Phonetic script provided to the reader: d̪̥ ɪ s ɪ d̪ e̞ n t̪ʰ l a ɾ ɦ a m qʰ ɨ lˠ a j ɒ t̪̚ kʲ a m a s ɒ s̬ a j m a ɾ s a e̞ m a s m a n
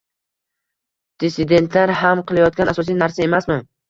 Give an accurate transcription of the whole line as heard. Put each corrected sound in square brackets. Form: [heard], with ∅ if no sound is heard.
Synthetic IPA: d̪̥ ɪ s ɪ d̪ e̞ n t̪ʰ l a ɾ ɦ a m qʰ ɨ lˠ a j ɒ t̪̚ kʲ a [n] a s ɒ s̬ [i] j [n] a ɾ s a e̞ m a s m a n